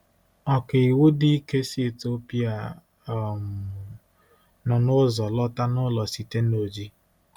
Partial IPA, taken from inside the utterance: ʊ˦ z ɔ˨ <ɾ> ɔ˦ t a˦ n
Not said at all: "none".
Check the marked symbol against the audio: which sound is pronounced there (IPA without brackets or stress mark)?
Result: l